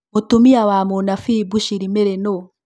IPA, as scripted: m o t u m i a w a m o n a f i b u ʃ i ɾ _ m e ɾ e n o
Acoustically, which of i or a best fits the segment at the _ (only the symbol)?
i